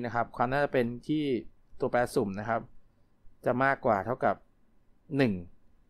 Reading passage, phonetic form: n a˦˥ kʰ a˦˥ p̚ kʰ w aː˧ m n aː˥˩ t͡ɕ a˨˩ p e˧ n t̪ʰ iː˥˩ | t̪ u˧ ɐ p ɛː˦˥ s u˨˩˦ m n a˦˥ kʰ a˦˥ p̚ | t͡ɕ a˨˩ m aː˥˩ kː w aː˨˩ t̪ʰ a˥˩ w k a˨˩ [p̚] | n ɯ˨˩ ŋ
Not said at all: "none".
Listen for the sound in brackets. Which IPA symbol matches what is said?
p̚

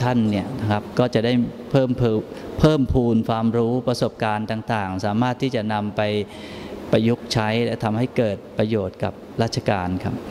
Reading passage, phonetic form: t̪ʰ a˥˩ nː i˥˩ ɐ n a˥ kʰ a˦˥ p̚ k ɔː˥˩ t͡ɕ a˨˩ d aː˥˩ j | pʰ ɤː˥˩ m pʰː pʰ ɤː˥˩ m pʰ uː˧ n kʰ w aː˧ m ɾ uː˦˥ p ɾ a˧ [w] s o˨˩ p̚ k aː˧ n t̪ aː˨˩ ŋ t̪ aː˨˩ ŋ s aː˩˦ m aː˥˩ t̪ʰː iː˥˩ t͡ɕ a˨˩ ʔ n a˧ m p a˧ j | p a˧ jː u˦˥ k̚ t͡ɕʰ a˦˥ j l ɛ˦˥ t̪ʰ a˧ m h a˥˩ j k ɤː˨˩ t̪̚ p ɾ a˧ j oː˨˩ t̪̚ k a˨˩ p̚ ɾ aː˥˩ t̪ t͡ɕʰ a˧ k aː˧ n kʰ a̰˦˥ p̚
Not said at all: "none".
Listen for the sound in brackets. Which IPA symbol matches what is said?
none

